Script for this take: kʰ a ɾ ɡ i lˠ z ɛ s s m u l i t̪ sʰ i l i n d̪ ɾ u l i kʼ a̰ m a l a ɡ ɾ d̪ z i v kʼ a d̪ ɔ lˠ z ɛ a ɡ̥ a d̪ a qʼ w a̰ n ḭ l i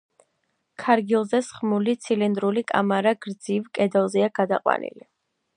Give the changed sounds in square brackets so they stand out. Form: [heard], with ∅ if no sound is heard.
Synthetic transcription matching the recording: kʰ a ɾ ɡ i lˠ z ɛ s [χ] m u l i t̪ sʰ i l i n d̪ ɾ u l i kʼ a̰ m a [ɾ] a ɡ ɾ d̪ z i v kʼ [ɛ] d̪ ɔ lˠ z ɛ a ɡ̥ a d̪ a qʼ w a̰ n ḭ l i

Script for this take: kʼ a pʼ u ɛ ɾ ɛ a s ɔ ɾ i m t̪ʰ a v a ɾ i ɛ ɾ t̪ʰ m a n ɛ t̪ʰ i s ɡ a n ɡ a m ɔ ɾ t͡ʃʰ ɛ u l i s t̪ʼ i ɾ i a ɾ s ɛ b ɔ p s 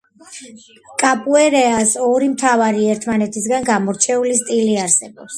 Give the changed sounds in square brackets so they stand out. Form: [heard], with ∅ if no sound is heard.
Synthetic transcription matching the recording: kʼ a pʼ u ɛ ɾ ɛ a s ɔ ɾ i m t̪ʰ a v a ɾ i ɛ ɾ t̪ʰ m a n ɛ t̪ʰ i s ɡ a n ɡ a m ɔ ɾ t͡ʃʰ ɛ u l i s t̪ʼ i [l] i a ɾ s ɛ b ɔ p s

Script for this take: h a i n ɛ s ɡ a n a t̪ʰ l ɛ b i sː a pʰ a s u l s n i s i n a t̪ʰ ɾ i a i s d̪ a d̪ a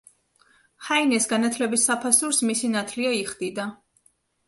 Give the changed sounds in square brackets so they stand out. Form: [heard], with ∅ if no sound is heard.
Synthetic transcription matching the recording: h a i n ɛ s ɡ a n a t̪ʰ l ɛ b i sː a pʰ a s u [ɾ] s [m] i s i n a t̪ʰ [l] i a i [χ] d̪ [i] d̪ a

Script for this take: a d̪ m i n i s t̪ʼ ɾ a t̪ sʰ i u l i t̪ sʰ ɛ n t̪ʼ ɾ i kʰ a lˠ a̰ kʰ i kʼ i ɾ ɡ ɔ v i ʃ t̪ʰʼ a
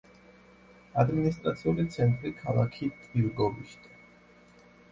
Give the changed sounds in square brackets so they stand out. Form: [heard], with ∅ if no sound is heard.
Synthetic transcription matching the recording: a d̪ m i n i s t̪ʼ ɾ a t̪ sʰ i u l i t̪ sʰ ɛ n t̪ʼ ɾ i kʰ a lˠ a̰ kʰ i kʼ i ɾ ɡ ɔ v i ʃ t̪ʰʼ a

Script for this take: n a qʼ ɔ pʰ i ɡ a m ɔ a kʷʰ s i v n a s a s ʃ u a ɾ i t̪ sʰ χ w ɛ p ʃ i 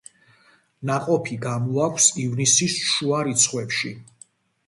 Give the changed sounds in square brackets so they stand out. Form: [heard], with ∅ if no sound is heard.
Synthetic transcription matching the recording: n a qʼ ɔ pʰ i ɡ a m ɔ a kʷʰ s i v n [i] s [i] s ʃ u a ɾ i t̪ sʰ χ w ɛ p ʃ i

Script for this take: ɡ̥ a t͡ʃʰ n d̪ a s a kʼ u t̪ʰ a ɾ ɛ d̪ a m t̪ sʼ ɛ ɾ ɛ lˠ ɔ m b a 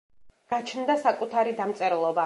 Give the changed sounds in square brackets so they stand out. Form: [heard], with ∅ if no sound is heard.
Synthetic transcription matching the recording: ɡ̥ a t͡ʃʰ n d̪ a s a kʼ u t̪ʰ a ɾ [i] d̪ a m t̪ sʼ ɛ ɾ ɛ lˠ ɔ [∅] b a

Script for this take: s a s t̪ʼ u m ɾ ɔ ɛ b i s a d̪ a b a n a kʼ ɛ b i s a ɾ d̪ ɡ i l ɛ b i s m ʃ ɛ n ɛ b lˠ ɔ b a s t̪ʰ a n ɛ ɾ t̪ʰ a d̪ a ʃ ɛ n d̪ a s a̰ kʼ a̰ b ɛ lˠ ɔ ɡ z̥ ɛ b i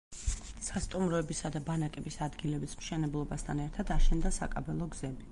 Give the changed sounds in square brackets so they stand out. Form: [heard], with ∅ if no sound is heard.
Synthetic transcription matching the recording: s a s t̪ʼ u m ɾ ɔ ɛ b i s a d̪ a b a n a kʼ ɛ b i s a [∅] d̪ ɡ i l ɛ b i s m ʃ ɛ n ɛ b lˠ ɔ b a s t̪ʰ a n ɛ ɾ t̪ʰ a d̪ a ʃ ɛ n d̪ a s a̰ kʼ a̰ b ɛ lˠ ɔ ɡ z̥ ɛ b i

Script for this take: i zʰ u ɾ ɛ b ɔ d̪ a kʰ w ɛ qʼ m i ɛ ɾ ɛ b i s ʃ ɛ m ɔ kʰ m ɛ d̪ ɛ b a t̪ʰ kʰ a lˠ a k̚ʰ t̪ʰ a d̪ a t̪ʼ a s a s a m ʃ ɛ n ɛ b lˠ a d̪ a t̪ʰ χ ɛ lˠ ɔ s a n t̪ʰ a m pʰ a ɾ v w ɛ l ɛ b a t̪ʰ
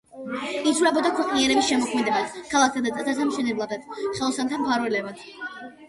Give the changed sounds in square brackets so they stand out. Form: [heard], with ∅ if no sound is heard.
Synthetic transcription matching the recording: i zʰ u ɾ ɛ b ɔ d̪ a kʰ w ɛ qʼ [n] i ɛ ɾ ɛ b i s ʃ ɛ m ɔ kʰ m ɛ d̪ ɛ b a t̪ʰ kʰ a lˠ a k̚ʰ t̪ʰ a d̪ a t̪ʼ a s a s a m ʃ ɛ n ɛ b lˠ a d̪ a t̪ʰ χ ɛ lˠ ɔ s a n t̪ʰ a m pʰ a ɾ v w ɛ l ɛ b a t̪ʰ

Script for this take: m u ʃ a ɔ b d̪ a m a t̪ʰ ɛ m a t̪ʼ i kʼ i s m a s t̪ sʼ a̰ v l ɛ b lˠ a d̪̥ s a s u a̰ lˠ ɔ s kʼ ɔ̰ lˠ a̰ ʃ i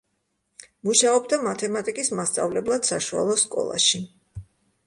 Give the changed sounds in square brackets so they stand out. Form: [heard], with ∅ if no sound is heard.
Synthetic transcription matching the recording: m u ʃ a ɔ b d̪ a m a t̪ʰ ɛ m a t̪ʼ i kʼ i s m a s t̪ sʼ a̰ v l ɛ b lˠ a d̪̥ s a [ʃ] u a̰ lˠ ɔ s kʼ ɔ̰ lˠ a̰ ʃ i

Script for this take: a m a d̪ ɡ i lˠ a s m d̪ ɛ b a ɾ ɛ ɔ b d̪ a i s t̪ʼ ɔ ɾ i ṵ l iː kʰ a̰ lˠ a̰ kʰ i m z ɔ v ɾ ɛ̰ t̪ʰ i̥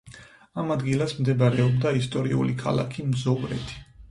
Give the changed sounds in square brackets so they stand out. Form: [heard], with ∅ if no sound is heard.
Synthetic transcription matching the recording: a m a d̪ ɡ i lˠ a s m d̪ ɛ b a ɾ ɛ ɔ b d̪ a i s t̪ʼ ɔ ɾ i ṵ l [i] kʰ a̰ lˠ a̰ kʰ i m z ɔ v ɾ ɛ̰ t̪ʰ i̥

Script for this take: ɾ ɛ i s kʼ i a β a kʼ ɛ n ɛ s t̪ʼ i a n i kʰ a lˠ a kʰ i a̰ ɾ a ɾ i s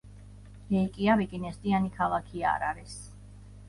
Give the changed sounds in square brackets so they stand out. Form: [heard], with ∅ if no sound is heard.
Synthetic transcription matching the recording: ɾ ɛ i [∅] kʼ i a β [i] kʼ [i] n ɛ s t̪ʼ i a n i kʰ a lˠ a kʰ i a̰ ɾ a ɾ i s

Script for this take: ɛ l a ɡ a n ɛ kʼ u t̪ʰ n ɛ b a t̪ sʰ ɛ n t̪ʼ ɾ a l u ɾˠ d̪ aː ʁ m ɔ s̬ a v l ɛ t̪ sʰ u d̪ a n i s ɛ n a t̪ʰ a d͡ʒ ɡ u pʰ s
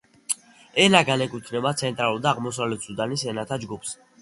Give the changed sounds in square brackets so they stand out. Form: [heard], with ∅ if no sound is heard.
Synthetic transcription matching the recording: ɛ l a ɡ a n ɛ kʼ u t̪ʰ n ɛ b a t̪ sʰ ɛ n t̪ʼ ɾ a l u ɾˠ d̪ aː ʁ m ɔ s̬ a v l ɛ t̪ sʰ u d̪ a n i s ɛ n a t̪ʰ a d͡ʒ ɡ u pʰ s

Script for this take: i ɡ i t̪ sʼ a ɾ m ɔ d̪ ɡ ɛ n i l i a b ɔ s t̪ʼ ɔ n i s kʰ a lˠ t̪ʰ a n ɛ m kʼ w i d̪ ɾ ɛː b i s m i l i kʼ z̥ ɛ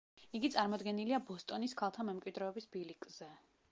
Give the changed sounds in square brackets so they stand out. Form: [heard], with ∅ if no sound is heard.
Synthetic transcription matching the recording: i ɡ i t̪ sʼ a ɾ m ɔ d̪ ɡ ɛ n i l i a b ɔ s t̪ʼ ɔ n i s kʰ a lˠ t̪ʰ a [m] ɛ m kʼ w i d̪ ɾ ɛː b i s [b] i l i kʼ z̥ ɛ

